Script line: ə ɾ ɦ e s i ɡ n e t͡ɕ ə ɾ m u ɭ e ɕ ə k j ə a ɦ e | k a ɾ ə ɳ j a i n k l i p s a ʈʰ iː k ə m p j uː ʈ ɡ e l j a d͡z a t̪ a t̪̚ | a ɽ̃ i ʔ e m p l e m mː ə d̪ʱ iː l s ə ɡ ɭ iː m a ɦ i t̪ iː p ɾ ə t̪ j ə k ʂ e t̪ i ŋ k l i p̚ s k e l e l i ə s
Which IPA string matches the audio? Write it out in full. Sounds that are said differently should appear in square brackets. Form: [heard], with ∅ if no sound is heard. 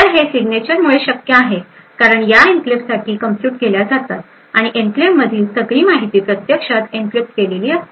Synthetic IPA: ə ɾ ɦ e s i ɡ n e t͡ɕ ə ɾ m u ɭ e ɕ ə k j ə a ɦ e | k a ɾ ə ɳ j a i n k l i p s a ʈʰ iː k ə m p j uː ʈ ɡ e l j a d͡z a t̪ a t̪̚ | a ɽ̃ i ʔ e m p l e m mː ə d̪ʱ iː l s ə ɡ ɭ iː m a ɦ i t̪ iː p ɾ ə t̪ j ə k ʂ [a] t̪ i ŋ k l i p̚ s k e l e l [iː] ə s